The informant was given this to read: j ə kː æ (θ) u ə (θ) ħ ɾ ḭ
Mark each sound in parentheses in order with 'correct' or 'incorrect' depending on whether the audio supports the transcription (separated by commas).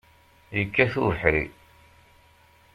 correct, incorrect